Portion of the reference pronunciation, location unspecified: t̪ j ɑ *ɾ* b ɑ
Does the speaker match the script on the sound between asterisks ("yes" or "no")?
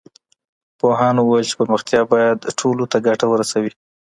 no